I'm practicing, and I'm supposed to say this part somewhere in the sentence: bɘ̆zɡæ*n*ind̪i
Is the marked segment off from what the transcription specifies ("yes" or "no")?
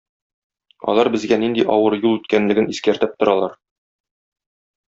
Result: no